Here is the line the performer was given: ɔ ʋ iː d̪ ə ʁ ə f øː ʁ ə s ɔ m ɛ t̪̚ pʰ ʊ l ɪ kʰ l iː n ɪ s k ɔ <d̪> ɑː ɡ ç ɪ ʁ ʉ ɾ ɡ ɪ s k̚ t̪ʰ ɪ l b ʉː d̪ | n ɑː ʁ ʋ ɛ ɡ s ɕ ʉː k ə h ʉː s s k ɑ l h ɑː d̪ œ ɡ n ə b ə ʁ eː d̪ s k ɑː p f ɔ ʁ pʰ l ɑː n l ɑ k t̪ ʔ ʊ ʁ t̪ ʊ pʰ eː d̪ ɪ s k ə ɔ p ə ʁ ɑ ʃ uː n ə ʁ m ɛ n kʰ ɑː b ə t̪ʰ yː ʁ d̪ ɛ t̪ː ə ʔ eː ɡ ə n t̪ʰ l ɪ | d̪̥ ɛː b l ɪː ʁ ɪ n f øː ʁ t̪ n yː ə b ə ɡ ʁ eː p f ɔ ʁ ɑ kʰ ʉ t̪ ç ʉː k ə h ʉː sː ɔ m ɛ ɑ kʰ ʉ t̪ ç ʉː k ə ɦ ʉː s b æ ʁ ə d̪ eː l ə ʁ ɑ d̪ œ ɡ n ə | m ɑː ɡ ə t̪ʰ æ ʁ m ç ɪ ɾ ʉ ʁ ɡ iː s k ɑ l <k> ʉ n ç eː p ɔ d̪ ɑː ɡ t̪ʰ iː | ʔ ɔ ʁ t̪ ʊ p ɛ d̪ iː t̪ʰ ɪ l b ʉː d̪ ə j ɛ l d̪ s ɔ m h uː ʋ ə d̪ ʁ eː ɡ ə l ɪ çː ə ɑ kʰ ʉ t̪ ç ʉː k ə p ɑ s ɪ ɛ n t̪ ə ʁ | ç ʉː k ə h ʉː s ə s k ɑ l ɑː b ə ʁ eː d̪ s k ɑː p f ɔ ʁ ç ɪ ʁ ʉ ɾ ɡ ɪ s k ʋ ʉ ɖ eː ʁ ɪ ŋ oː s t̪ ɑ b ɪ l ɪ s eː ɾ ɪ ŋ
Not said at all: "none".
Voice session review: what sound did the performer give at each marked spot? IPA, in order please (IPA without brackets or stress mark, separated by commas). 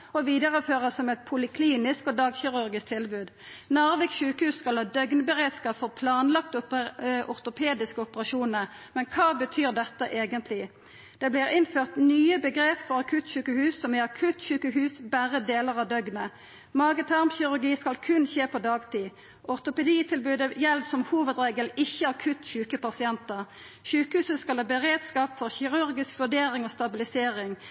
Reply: d̪, kʰ